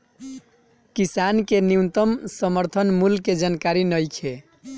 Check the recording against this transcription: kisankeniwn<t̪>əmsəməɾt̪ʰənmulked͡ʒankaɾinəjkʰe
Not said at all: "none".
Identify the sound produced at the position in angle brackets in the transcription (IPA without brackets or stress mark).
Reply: t̪